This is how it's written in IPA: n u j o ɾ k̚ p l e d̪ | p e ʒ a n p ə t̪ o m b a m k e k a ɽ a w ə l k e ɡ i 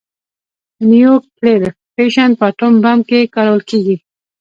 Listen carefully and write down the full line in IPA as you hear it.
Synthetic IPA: n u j o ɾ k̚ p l e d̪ | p e ʃ a n p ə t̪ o m b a m k e k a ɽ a w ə l k e ɡ i